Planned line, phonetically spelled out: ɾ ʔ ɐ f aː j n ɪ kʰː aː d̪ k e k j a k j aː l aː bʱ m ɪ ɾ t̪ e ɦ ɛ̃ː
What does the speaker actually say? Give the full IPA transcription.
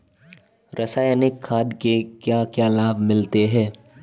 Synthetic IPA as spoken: ɾ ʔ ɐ s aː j n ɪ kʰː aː d̪ k e k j a k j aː l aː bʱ m ɪ l t̪ e ɦ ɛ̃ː